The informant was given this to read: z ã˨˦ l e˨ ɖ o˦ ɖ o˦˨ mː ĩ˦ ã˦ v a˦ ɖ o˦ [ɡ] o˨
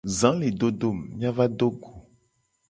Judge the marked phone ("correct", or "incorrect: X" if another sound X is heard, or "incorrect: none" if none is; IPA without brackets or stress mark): correct